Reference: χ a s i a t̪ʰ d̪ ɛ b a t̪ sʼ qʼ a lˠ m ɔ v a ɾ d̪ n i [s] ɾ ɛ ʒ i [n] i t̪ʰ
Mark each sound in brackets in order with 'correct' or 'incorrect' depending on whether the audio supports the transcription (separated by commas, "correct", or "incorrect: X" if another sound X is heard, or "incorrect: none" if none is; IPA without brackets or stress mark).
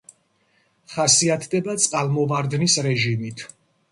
correct, incorrect: m